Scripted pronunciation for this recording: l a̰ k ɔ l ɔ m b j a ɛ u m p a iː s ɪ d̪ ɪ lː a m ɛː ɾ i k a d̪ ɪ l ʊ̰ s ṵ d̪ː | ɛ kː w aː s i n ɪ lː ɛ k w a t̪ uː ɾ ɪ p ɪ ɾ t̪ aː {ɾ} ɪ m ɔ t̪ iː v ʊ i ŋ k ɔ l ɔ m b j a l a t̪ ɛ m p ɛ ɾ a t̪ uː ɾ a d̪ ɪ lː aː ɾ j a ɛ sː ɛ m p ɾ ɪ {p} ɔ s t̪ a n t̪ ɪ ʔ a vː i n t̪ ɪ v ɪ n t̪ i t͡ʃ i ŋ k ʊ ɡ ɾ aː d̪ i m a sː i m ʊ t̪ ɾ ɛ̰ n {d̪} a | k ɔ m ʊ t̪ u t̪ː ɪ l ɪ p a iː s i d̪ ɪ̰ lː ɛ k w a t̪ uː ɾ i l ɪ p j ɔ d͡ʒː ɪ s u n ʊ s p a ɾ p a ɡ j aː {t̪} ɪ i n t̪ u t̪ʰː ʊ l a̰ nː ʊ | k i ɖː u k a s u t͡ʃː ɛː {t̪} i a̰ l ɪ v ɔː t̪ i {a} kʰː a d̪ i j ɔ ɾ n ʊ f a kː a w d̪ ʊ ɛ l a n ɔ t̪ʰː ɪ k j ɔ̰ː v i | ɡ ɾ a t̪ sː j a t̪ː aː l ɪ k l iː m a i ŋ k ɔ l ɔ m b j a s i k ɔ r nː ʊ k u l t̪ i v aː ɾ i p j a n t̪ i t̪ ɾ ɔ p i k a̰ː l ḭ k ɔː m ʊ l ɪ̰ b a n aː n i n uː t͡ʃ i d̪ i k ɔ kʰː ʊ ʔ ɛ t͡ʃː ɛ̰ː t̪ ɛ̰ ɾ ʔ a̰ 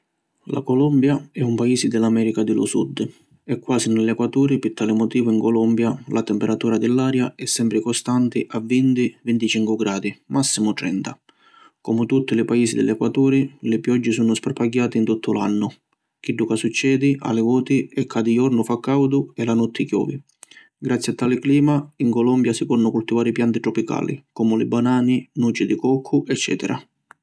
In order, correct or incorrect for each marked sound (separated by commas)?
incorrect, incorrect, incorrect, correct, incorrect, incorrect